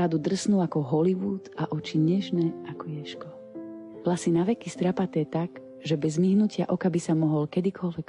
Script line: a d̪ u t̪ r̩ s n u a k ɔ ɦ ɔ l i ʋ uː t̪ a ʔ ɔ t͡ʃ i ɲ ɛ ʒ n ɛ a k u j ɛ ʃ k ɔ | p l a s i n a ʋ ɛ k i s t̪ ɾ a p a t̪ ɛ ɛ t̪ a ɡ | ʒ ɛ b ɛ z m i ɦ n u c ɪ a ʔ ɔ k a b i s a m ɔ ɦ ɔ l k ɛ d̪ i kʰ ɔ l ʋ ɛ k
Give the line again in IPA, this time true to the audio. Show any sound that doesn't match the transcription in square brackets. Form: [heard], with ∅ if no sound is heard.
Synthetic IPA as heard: a d̪ u [d̪] r̩ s n u a k ɔ ɦ ɔ l i ʋ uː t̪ a ʔ ɔ t͡ʃ i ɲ ɛ ʒ n ɛ a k [ɔ] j ɛ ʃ k ɔ | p l a s i n a ʋ ɛ k i s t̪ ɾ a p a t̪ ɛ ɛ t̪ a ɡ | ʒ ɛ b ɛ z m i ɦ n u c ɪ a ʔ ɔ k a b i s a m ɔ ɦ ɔ l k ɛ d̪ i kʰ ɔ l ʋ ɛ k